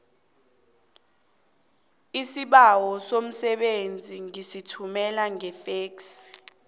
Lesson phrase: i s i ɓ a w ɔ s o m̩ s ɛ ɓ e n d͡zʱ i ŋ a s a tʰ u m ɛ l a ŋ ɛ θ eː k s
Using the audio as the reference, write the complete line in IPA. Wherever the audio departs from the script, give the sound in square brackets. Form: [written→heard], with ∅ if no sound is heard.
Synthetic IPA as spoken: i s i ɓ a w ɔ s o m̩ s ɛ ɓ e n d͡zʱ i ŋ [a→i] s [a→i] tʰ u m ɛ l a ŋ ɛ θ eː k s

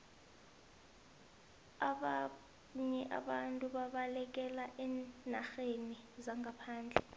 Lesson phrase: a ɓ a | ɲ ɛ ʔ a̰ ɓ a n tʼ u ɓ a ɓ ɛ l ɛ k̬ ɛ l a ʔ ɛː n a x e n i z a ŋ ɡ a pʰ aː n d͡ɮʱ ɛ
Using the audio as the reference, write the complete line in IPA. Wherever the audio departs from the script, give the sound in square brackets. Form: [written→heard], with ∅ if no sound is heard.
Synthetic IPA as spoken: a ɓ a | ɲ ɛ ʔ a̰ ɓ a n tʼ u ɓ a ɓ [ɛ→a] l ɛ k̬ ɛ l a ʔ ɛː n a x e n i z a ŋ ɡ a pʰ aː n d͡ɮʱ ɛ

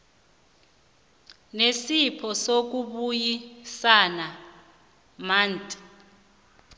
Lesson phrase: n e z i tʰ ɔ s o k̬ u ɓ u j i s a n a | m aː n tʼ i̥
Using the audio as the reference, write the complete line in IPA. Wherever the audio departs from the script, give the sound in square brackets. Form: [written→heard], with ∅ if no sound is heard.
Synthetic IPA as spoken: n e [z→s] i [tʰ→pʰ] ɔ s o k̬ u ɓ u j i s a n a | m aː n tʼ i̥

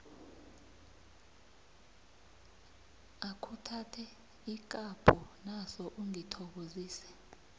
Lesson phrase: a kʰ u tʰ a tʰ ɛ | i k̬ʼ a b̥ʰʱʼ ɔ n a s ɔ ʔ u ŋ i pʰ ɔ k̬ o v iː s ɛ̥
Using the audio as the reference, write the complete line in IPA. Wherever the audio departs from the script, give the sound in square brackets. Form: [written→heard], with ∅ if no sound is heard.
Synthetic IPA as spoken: a kʰ u tʰ a tʰ ɛ | i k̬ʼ a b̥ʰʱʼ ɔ n a s ɔ ʔ u ŋ i [pʰ→tʰ] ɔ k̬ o [v→z] iː s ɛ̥

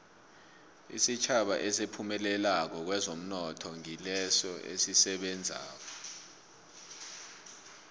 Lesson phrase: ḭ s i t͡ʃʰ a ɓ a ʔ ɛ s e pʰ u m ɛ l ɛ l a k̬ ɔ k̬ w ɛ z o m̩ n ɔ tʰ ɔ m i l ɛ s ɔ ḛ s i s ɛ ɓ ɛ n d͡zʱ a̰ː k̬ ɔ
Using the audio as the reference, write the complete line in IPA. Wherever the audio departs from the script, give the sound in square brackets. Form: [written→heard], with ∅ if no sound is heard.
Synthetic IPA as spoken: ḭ s i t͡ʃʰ a ɓ a ʔ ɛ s e pʰ u m ɛ l ɛ l a k̬ ɔ k̬ w ɛ z o m̩ n ɔ tʰ ɔ [m→ŋ] i l ɛ s ɔ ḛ s i s ɛ ɓ ɛ n d͡zʱ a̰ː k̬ ɔ

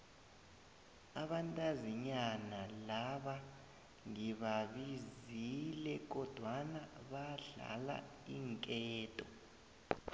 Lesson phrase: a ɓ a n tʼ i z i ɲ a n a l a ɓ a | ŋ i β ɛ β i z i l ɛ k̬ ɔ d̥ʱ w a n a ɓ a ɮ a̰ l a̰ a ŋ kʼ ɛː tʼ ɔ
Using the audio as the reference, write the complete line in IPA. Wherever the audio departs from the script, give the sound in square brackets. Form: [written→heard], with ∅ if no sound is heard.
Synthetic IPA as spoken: a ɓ a n tʼ [i→a] z i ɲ a n a l a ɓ a | ŋ i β [ɛ→a] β i z i l ɛ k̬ ɔ d̥ʱ w a n a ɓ a ɮ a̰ l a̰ [a→i] ŋ kʼ ɛː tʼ ɔ

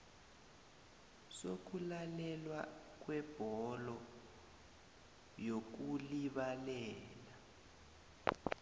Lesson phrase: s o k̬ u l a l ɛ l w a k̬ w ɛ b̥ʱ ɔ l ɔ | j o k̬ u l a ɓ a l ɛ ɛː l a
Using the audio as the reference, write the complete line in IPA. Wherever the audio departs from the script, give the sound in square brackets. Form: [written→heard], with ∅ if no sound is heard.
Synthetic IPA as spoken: s o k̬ u l a l ɛ l w a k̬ w ɛ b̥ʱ ɔ l ɔ | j o k̬ u l [a→i] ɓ a l ɛ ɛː l a

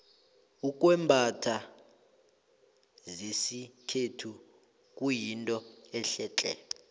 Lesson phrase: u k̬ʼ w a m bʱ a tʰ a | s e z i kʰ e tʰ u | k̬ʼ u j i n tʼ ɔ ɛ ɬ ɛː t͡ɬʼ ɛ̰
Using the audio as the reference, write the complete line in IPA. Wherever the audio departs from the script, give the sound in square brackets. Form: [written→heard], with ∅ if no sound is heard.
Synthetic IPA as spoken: u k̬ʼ w [a→ɛ] m bʱ a tʰ a | [s→z] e [z→s] i kʰ e tʰ u | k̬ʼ u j i n tʼ ɔ ɛ ɬ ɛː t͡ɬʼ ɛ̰

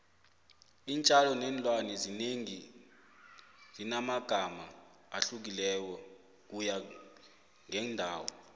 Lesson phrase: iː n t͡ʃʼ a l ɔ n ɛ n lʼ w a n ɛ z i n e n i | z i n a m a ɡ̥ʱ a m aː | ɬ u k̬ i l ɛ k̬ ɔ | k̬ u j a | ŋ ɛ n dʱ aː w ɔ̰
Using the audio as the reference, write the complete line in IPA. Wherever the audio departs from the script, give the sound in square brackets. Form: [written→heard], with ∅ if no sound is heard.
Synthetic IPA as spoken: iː n t͡ʃʼ a l ɔ n ɛ n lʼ w a n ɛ z i n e [n→ŋ] i | z i n a m a ɡ̥ʱ a m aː | ɬ u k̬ i l ɛ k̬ ɔ | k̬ u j a | ŋ ɛ n dʱ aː w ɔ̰

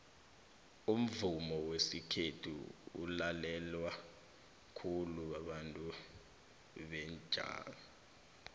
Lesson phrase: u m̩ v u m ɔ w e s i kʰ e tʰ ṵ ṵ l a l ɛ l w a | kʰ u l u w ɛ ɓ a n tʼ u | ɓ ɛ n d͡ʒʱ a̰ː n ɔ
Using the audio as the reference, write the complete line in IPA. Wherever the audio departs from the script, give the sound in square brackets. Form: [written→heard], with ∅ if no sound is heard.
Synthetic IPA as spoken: u m̩ v u m ɔ w e s i kʰ e tʰ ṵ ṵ l a l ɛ l w a | kʰ u l u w [ɛ→a] ɓ a n tʼ u | ɓ ɛ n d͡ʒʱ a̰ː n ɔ

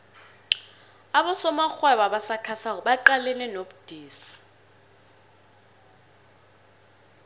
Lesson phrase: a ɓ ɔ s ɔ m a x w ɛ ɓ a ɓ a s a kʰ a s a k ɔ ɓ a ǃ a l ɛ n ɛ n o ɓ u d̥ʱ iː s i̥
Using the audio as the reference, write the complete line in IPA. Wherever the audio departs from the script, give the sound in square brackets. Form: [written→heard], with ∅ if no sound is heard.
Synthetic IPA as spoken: a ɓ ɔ s ɔ m a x w ɛ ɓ a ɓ a s a kʰ a s a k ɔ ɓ a ǃ a l ɛ n ɛ n o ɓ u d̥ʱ iː s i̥

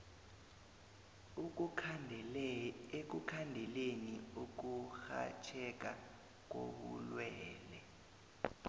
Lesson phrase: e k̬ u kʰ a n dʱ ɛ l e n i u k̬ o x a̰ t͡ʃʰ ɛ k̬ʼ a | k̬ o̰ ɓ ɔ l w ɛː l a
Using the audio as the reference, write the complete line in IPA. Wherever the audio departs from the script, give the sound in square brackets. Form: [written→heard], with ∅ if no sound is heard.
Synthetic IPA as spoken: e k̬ u kʰ a n dʱ ɛ l e n i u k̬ [o→u] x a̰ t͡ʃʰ ɛ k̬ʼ a | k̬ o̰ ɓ [ɔ→u] l w ɛː l [a→ɛ]

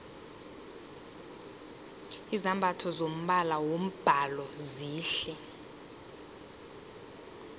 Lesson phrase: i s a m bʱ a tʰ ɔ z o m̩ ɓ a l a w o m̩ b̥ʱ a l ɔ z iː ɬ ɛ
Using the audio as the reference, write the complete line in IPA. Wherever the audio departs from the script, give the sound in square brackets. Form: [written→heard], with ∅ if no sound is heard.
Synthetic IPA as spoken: i [s→z] a m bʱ a tʰ ɔ z o m̩ ɓ a l a w o m̩ b̥ʱ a l ɔ z iː ɬ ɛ

